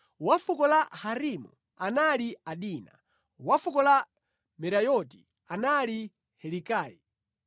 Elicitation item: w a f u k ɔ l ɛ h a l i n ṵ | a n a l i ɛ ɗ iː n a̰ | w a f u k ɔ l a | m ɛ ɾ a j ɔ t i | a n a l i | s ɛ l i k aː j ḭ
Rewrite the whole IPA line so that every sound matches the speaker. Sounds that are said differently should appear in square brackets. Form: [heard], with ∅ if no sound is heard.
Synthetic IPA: w a f u k ɔ l [a] h a [ɾ] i [m] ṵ | a n a l i [a] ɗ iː n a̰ | w a f u k ɔ l a | m ɛ ɾ a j ɔ t i | a n a l i | [h] ɛ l i k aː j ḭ